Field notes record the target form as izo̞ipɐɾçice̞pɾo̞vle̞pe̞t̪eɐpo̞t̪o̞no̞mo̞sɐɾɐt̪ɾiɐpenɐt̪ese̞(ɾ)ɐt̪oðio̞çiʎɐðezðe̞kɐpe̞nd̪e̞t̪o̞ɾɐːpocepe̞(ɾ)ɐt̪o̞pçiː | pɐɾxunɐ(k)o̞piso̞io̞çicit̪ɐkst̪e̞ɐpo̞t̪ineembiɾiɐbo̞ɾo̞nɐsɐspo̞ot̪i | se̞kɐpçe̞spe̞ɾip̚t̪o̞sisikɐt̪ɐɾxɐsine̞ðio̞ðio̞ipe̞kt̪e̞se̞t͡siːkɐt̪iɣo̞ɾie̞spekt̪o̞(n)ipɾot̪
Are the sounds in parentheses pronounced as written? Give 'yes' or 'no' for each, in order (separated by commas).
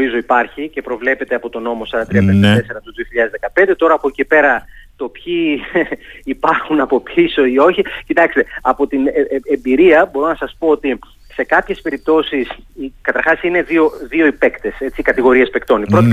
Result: yes, yes, no, yes